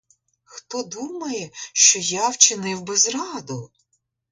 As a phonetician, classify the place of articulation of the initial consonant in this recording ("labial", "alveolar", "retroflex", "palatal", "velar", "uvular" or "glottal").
velar